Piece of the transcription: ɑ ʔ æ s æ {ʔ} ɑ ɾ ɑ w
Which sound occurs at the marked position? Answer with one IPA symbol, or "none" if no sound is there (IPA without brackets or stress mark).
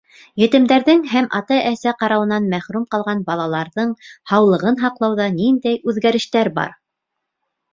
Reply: q